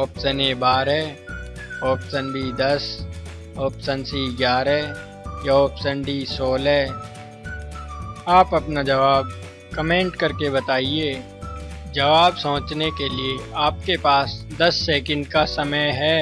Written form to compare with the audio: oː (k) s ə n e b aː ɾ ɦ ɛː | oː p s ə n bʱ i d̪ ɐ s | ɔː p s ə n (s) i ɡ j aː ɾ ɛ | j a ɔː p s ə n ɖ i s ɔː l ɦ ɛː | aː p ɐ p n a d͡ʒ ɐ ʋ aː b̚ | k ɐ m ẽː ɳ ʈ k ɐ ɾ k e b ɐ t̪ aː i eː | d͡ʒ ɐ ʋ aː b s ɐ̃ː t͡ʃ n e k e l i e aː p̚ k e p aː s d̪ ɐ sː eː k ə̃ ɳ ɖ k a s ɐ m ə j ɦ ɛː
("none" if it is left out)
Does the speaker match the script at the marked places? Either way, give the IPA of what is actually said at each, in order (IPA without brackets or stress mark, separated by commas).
p, s